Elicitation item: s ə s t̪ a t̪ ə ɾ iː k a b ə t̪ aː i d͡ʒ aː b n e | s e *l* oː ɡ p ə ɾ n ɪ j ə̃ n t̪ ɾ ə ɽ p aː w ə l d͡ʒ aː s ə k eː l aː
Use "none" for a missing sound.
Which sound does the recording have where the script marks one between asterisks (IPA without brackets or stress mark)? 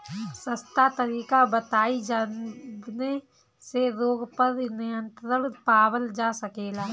ɾ